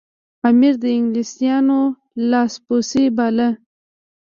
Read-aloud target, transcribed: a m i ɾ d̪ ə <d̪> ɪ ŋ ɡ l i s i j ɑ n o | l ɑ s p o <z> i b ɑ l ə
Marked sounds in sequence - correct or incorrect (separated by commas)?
incorrect, incorrect